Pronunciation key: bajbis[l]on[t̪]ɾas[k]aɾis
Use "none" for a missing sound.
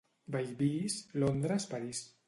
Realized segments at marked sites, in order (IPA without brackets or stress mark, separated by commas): l, d̪, p